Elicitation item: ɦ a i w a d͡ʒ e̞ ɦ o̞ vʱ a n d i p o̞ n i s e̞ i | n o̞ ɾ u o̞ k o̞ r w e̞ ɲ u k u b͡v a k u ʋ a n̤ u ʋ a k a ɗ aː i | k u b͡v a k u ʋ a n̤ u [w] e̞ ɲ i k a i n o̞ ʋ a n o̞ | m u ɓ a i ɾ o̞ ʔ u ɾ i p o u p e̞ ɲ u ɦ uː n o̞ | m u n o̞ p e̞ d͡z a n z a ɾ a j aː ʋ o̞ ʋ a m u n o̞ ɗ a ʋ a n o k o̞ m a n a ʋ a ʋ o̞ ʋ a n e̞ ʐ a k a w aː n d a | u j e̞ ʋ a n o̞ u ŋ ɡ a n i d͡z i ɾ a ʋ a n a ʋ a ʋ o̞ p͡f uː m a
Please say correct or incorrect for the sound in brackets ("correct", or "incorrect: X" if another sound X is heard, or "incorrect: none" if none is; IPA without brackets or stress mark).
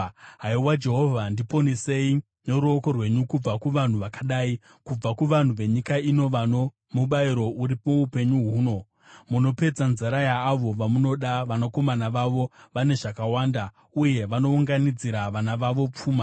incorrect: ʋ